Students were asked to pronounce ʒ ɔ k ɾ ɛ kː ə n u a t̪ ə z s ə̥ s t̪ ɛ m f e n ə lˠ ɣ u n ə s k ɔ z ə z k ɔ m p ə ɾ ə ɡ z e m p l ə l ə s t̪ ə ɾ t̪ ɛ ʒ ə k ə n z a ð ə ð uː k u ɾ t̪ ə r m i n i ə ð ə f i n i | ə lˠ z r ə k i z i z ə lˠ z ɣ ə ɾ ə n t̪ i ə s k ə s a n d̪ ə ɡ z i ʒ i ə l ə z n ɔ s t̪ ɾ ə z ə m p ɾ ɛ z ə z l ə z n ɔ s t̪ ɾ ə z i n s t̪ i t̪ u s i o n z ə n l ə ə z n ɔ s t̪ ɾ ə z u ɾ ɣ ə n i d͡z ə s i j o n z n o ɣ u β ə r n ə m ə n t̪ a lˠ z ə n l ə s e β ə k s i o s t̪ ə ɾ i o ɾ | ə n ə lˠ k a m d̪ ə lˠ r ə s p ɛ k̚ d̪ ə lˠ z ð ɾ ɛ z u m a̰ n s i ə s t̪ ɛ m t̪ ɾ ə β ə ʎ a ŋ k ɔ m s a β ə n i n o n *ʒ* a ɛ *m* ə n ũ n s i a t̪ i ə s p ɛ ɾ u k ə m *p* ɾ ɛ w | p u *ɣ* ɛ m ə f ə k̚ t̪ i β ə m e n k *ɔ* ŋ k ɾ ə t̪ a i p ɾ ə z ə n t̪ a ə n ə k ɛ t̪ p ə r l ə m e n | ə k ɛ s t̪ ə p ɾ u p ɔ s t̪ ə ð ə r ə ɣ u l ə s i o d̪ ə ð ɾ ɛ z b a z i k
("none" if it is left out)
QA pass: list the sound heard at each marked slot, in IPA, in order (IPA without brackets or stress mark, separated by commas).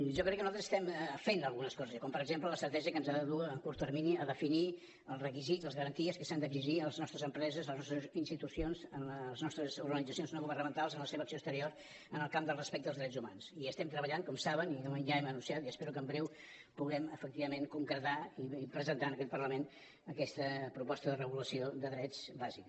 ʒ, m, b, ɣ, u